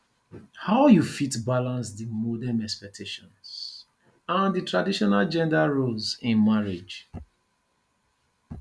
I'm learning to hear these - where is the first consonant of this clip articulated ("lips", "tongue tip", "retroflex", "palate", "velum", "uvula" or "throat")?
throat